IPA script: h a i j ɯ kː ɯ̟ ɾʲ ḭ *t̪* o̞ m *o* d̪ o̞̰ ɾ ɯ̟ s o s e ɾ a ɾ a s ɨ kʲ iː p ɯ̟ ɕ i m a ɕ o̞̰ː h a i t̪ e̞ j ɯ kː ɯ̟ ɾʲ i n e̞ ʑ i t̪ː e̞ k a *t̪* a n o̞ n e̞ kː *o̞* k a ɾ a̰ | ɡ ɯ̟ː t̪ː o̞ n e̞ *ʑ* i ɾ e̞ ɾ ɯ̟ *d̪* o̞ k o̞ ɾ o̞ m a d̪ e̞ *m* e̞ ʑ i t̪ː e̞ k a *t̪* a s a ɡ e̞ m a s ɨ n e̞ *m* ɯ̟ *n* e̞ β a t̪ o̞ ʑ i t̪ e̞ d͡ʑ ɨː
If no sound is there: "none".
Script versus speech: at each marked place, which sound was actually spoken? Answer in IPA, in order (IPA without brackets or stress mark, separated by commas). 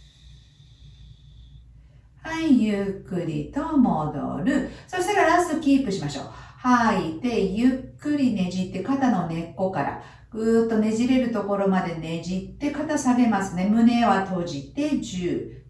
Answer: t̪, o, t̪, o̞, ʑ, t̪, n, t̪, m, n